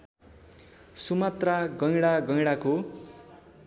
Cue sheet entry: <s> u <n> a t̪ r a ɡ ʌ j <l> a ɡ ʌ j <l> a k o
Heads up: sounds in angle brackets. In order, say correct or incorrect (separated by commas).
correct, incorrect, incorrect, incorrect